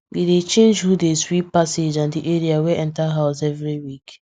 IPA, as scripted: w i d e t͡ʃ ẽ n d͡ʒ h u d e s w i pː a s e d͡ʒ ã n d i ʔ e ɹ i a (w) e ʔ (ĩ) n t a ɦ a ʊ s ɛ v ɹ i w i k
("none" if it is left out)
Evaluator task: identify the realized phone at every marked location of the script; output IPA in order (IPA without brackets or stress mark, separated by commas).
w, ɛ̃